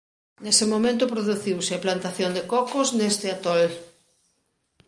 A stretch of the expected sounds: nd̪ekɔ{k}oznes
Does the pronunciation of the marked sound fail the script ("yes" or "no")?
no